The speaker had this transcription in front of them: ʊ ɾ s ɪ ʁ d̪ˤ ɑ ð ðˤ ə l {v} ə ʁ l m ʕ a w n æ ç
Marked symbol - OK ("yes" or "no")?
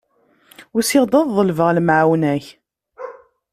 yes